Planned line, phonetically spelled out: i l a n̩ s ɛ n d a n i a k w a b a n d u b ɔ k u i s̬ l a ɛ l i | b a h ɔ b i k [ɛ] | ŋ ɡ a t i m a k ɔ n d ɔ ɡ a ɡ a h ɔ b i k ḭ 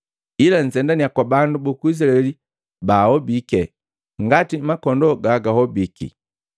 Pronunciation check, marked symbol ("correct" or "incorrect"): correct